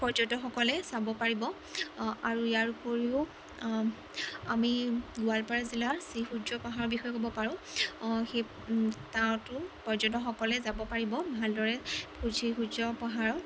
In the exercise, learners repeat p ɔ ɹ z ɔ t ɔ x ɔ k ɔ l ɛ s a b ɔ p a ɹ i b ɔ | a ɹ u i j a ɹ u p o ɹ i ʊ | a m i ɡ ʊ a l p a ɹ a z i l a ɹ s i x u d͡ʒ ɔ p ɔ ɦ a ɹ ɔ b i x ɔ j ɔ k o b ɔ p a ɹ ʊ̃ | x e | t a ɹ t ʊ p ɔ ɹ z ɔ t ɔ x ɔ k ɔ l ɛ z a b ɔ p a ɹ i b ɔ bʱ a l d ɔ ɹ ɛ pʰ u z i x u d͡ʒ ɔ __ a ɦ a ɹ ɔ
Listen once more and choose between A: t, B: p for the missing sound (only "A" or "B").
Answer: B